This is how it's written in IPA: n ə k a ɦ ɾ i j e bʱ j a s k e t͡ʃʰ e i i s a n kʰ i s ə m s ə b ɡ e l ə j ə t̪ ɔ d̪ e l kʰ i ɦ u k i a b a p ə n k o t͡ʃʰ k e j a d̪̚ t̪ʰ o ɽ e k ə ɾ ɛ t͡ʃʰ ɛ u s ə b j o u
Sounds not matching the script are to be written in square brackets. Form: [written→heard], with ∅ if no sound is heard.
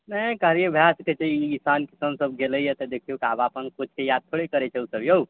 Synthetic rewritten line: n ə k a ɦ ɾ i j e bʱ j a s k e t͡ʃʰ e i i s a n [kʰ→k] i s ə m s ə b ɡ e l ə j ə t̪ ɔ d̪ e [l→∅] kʰ i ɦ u k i a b a p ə n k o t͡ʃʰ k e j a d̪̚ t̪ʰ o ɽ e k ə ɾ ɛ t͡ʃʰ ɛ u s ə b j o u